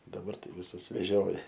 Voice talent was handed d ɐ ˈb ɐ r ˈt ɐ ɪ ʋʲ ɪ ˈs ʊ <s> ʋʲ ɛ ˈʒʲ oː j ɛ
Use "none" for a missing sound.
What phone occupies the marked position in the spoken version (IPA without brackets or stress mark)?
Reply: s